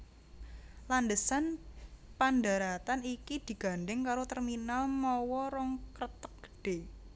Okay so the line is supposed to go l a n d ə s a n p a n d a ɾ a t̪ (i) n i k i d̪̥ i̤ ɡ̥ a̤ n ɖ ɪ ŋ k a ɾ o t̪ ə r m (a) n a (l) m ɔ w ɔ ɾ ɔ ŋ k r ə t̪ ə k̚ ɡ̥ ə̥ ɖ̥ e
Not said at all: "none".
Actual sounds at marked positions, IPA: a, i, l

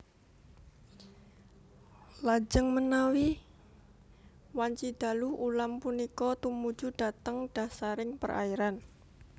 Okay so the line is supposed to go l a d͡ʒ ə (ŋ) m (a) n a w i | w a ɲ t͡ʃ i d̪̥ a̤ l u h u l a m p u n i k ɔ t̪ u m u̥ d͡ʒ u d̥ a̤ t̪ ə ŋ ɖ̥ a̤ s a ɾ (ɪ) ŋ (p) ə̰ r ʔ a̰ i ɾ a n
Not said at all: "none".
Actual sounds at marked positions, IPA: ŋ, ə, ɪ, p

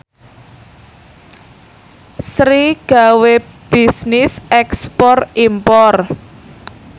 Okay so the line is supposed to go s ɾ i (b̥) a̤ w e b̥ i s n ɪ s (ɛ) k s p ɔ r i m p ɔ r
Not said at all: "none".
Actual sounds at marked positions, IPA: ɡ̥, ɛ

